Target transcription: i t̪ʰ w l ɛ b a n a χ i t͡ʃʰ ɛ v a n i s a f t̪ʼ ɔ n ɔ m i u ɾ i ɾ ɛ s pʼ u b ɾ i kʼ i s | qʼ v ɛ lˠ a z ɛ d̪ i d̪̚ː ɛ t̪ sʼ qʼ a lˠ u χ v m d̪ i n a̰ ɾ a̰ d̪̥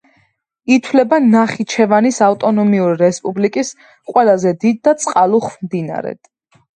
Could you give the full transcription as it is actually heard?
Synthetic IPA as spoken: i t̪ʰ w l ɛ b a n a χ i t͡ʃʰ ɛ v a n i s a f t̪ʼ ɔ n ɔ m i u ɾ i ɾ ɛ s pʼ u b l i kʼ i s | qʼ w ɛ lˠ a z ɛ d̪ i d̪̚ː a t̪ sʼ qʼ a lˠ u χ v m d̪ i n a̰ ɾ ɛ̰ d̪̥